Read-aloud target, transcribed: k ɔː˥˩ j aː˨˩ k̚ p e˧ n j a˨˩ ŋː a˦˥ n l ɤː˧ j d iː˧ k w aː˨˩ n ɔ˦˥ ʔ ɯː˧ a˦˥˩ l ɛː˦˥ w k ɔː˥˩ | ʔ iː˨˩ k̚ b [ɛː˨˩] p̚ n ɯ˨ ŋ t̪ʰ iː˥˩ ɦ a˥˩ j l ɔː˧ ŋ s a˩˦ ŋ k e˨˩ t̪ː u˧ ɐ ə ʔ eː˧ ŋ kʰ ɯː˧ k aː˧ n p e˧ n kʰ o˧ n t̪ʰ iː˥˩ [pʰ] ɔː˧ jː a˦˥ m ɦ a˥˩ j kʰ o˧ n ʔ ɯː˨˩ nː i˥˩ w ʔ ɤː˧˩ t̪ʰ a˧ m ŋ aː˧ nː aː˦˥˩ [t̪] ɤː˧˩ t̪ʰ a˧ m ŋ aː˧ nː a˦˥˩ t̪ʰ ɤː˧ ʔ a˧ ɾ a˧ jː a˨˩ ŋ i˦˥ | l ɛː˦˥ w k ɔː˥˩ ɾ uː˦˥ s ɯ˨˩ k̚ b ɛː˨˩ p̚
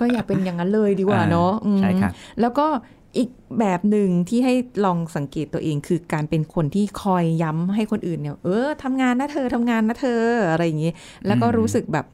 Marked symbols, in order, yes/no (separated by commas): yes, no, no